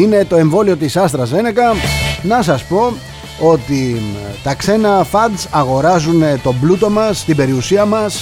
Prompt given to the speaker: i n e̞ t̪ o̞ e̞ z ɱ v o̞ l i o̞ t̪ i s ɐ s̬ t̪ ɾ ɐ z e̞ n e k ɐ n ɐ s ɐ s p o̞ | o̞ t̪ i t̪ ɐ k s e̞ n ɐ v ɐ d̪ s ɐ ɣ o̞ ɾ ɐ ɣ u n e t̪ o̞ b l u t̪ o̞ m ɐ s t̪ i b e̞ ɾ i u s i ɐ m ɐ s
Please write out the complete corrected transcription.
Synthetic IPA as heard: i n e̞ t̪ o̞ e̞ ɱ v o̞ l i o̞ t̪ i s ɐ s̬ t̪ ɾ ɐ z e̞ n e k ɐ n ɐ s ɐ s p o̞ | o̞ t̪ i t̪ ɐ k s e̞ n ɐ f ɐ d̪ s ɐ ɣ o̞ ɾ ɐ z u n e t̪ o̞ b l u t̪ o̞ m ɐ s t̪ i b e̞ ɾ i u s i ɐ m ɐ s